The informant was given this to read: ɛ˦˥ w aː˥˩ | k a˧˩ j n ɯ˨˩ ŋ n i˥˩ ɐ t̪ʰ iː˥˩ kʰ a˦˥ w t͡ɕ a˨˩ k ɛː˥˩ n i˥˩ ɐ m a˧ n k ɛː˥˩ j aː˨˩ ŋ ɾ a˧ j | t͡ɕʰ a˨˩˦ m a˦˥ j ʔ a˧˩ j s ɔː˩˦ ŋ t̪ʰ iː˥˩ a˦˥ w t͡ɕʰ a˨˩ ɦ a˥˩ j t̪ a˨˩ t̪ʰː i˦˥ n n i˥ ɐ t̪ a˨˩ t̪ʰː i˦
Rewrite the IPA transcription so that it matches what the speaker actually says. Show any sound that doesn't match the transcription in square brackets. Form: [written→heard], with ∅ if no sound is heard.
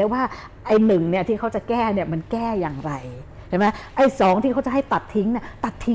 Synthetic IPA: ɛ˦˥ w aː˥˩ | [k→ʔ] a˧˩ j n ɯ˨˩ ŋ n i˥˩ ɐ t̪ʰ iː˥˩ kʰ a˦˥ w t͡ɕ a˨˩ k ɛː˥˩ n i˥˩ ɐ m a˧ n k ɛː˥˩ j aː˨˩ ŋ ɾ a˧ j | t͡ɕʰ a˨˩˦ m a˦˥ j ʔ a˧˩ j s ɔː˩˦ ŋ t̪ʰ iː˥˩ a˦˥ w [t͡ɕʰ→t͡ɕ] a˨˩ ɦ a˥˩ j t̪ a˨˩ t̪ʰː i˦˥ [n→ŋ] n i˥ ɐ t̪ a˨˩ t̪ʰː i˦